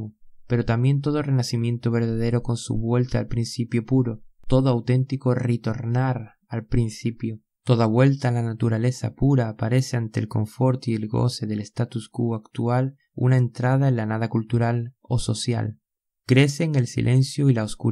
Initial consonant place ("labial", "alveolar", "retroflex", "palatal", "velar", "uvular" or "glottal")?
labial